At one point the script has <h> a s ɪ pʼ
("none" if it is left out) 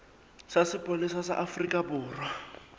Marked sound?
s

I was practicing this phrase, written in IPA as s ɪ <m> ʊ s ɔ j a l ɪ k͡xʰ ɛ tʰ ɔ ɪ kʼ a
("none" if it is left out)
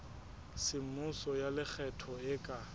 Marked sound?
m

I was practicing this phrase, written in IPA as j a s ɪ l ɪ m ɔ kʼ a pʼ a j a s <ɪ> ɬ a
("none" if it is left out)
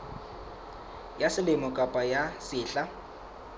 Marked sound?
ɪː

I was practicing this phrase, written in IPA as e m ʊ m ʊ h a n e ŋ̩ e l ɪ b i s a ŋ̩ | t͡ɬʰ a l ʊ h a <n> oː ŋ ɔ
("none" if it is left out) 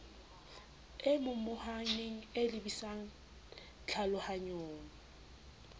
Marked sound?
ɲ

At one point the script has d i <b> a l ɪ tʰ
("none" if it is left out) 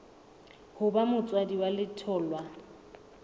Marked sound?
w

